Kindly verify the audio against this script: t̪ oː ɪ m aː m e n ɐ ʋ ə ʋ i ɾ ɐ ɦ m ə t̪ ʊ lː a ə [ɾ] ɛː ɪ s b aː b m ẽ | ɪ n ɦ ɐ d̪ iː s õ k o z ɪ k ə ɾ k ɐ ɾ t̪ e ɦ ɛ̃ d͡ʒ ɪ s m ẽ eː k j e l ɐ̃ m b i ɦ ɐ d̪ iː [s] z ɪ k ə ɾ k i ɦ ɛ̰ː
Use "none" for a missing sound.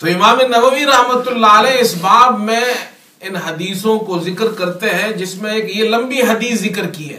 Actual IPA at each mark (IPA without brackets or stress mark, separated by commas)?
l, s